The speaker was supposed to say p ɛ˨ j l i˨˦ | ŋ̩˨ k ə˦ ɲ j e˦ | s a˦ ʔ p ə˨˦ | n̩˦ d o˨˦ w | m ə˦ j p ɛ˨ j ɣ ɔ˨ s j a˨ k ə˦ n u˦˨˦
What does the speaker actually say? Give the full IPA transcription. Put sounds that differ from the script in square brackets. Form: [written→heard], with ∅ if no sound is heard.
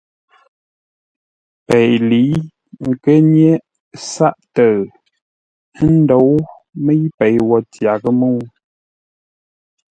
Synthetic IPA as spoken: p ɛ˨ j l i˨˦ | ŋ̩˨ k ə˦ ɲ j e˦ | s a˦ ʔ [p→t] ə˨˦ | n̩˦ d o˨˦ w | m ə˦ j p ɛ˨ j [ɣ→w] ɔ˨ [s→t] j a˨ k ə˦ [n→m] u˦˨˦